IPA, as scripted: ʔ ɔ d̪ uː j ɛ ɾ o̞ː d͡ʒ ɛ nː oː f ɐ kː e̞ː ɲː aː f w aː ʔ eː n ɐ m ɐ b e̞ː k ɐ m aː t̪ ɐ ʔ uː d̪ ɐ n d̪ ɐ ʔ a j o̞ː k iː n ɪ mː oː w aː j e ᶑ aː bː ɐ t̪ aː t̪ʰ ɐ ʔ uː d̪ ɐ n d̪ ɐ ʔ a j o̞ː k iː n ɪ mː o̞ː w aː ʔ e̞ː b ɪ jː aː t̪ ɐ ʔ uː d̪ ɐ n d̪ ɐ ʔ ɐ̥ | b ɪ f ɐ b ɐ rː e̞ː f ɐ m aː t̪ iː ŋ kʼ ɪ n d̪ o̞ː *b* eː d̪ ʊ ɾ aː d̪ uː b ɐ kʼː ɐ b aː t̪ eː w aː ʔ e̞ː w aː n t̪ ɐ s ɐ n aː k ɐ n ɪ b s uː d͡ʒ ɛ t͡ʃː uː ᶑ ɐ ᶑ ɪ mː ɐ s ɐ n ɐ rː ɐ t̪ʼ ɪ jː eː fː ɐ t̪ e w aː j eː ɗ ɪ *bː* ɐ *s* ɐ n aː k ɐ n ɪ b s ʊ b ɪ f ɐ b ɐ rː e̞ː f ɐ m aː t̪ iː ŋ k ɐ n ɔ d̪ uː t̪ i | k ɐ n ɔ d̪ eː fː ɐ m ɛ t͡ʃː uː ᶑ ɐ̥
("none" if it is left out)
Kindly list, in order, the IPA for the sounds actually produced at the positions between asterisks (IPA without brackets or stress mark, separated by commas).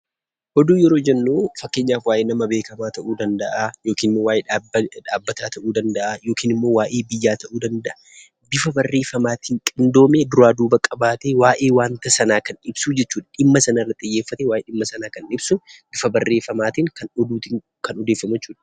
m, mː, s